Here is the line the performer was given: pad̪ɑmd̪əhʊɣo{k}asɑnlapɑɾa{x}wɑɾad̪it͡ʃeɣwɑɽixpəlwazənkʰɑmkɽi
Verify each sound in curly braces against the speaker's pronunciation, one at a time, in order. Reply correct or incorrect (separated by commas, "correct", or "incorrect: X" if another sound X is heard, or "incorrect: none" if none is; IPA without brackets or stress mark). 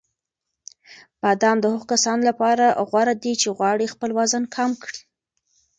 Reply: correct, incorrect: ɣ